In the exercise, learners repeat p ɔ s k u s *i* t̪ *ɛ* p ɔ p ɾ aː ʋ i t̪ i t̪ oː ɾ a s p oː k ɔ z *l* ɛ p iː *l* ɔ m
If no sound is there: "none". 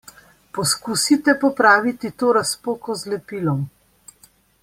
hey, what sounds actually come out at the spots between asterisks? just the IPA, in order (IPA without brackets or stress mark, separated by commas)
i, ɛ, l, l